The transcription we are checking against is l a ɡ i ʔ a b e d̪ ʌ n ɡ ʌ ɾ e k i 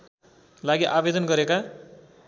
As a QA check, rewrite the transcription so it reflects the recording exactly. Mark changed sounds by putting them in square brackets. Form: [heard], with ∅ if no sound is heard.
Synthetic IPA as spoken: l a ɡ i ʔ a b e d̪ ʌ n ɡ ʌ ɾ e k [a]